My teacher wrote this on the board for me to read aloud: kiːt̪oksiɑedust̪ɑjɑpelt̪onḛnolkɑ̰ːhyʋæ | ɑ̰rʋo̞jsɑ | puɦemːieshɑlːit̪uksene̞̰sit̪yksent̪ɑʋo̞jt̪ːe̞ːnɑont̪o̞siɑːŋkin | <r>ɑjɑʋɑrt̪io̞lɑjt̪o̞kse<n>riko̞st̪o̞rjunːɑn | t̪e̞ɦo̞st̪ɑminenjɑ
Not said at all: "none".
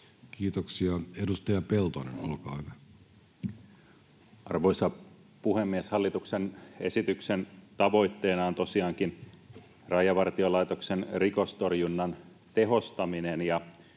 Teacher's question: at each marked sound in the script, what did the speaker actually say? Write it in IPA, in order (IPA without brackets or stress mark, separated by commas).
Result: r, n